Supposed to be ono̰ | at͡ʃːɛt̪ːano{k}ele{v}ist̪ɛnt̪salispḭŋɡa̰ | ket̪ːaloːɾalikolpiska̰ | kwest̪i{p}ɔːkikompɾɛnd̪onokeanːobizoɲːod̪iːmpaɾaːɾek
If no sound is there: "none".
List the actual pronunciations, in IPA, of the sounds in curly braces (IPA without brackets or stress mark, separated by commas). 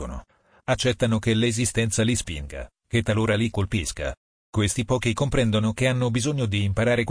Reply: k, z, p